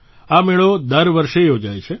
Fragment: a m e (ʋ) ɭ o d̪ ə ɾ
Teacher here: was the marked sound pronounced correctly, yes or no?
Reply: no